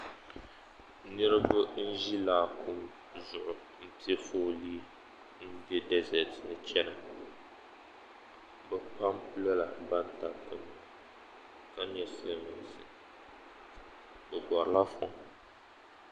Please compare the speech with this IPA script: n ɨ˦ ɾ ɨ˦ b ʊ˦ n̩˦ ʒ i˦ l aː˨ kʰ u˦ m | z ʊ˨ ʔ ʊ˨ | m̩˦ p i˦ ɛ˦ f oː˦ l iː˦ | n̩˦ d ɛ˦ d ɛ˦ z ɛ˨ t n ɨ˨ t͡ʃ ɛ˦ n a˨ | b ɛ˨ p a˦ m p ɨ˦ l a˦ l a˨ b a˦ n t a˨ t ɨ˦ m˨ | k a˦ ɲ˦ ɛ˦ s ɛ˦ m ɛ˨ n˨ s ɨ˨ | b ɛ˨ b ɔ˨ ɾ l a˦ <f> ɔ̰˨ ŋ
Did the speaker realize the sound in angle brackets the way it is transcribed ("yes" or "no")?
yes